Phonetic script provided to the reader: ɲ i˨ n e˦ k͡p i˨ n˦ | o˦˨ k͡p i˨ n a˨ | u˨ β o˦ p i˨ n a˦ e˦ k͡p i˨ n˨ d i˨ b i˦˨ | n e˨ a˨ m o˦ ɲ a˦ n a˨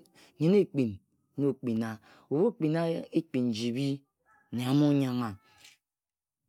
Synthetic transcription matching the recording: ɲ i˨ n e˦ k͡p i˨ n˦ | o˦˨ k͡p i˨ n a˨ | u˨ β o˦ k͡p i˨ n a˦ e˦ k͡p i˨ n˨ d͡ʒ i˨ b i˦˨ | n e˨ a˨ m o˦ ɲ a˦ ŋ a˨